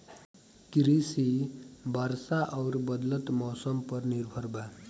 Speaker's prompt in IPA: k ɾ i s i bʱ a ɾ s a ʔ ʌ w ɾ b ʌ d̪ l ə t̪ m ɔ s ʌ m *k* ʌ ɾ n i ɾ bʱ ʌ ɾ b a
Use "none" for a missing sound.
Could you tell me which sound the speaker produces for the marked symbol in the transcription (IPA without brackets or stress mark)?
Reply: p